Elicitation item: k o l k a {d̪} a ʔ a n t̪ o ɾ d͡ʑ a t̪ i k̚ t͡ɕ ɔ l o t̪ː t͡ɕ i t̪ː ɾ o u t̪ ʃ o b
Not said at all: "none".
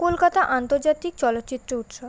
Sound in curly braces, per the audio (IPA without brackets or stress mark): t̪